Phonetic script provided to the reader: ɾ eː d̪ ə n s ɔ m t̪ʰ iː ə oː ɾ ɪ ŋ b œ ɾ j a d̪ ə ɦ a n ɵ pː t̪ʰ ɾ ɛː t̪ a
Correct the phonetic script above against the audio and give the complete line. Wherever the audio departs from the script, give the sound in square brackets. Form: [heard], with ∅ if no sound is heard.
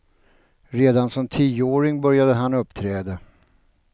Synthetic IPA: ɾ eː d̪ [a] n s ɔ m t̪ʰ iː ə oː ɾ ɪ ŋ b œ ɾ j a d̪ ə ɦ a n ɵ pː t̪ʰ ɾ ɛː [d̪] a